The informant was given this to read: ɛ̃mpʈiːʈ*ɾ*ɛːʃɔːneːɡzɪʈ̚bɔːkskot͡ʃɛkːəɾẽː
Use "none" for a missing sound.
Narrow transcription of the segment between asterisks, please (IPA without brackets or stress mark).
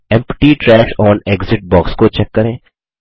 ɾ